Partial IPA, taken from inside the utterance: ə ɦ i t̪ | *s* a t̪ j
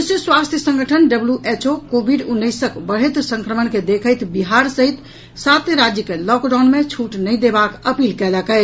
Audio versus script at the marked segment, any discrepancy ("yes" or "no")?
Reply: no